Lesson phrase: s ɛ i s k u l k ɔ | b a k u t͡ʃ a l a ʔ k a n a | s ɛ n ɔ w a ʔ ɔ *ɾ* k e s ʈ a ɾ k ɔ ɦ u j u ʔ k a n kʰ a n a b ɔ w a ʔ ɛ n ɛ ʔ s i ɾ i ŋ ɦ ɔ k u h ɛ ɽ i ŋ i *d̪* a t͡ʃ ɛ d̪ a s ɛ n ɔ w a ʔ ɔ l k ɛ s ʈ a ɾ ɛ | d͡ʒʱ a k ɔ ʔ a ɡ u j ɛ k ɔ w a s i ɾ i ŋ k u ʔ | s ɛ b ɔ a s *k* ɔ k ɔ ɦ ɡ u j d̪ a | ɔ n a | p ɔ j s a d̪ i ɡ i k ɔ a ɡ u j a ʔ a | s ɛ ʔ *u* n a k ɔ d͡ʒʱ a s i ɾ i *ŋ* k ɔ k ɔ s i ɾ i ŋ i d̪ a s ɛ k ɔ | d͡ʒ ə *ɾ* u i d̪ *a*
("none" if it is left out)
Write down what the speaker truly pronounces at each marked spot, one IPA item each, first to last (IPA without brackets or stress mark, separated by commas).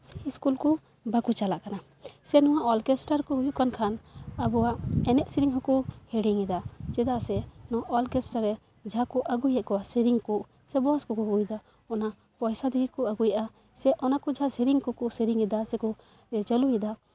l, d̪, k, ɔ, ŋ, l, a